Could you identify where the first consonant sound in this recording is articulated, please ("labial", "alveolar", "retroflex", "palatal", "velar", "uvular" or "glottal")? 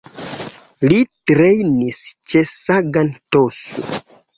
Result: alveolar